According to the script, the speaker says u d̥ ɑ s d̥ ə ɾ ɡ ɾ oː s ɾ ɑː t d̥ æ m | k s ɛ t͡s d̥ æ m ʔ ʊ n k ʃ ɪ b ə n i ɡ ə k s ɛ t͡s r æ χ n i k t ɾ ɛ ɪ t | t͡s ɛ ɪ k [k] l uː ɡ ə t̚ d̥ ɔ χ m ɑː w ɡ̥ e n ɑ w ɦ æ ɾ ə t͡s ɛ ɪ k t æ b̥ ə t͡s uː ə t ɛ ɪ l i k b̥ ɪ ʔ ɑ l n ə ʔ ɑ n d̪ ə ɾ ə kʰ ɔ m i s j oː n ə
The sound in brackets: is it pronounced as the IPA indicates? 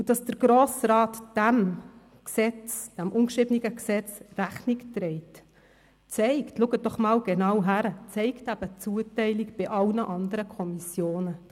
no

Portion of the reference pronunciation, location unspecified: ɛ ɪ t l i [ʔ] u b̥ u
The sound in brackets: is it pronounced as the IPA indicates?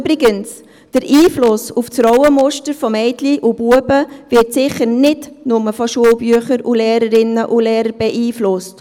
yes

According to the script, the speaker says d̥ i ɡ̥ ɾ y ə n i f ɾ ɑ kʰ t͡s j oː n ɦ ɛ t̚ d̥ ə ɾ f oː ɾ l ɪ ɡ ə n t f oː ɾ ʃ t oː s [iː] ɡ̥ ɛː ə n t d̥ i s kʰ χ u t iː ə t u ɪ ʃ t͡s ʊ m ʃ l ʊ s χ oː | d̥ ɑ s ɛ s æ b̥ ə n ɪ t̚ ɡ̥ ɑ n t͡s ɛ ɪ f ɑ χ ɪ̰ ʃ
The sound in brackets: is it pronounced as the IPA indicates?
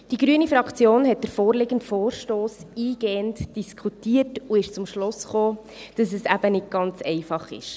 yes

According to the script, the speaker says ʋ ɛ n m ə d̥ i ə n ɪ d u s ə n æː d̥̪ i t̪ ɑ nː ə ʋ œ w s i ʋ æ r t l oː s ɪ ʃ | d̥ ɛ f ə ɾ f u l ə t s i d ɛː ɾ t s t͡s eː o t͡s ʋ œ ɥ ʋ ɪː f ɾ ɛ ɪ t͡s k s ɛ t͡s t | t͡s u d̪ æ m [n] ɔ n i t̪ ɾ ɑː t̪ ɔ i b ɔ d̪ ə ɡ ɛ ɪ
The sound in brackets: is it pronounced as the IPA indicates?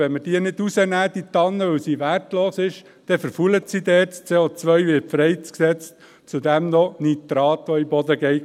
yes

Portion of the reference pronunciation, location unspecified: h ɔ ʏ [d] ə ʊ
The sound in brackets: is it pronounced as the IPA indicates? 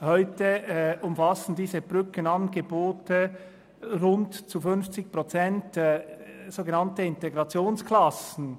no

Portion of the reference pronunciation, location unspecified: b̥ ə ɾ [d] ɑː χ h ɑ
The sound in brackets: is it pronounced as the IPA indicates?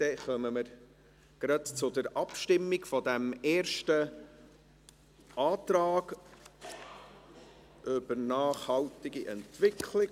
no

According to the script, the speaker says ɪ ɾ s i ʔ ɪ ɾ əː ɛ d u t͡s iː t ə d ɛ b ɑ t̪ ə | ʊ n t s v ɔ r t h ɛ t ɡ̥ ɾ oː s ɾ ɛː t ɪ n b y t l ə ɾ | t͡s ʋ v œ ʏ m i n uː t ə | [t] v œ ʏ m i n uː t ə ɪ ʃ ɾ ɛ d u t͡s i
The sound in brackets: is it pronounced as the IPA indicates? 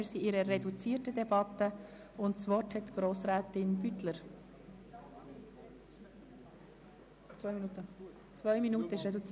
no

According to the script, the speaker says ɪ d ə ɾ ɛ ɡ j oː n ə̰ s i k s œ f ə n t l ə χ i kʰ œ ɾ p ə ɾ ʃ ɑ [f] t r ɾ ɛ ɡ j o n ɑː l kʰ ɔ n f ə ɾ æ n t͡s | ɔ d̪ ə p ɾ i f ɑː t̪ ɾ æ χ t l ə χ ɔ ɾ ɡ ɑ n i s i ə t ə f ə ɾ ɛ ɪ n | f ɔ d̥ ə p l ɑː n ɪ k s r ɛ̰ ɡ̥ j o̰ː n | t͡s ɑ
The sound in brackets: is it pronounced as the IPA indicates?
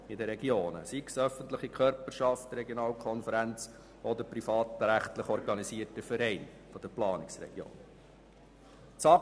yes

